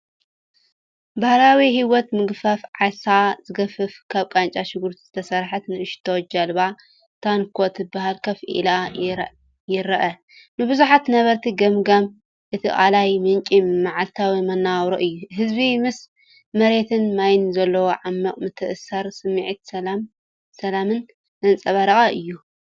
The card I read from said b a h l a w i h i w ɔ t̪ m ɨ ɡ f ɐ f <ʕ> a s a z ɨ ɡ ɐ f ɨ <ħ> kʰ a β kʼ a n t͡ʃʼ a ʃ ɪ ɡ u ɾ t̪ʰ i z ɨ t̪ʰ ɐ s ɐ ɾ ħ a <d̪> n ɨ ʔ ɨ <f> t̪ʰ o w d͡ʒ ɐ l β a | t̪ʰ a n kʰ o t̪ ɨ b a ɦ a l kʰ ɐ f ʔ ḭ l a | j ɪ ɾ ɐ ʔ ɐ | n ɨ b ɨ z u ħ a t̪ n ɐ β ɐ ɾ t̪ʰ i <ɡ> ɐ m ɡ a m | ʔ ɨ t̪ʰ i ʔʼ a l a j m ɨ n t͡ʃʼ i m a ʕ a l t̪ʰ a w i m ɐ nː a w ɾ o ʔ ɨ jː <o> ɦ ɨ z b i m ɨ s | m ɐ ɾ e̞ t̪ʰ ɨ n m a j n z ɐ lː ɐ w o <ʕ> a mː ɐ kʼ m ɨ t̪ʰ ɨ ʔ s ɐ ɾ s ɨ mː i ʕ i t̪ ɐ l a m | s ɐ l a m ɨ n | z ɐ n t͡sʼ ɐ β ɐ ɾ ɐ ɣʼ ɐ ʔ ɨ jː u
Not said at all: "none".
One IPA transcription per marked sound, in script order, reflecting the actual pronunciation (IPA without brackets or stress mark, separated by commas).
ʕ, f, t̪, ʃ, ɡ, u, ʕ